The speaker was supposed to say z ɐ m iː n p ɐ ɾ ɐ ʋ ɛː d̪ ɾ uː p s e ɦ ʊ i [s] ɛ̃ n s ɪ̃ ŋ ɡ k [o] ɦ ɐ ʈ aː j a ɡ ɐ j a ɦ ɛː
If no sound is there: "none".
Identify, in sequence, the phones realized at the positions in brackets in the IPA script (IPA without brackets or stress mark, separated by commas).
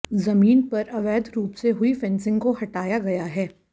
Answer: f, o